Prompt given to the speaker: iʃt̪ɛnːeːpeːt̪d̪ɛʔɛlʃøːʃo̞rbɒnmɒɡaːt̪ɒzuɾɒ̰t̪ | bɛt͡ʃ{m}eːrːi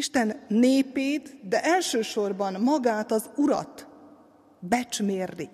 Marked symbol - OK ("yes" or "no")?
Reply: yes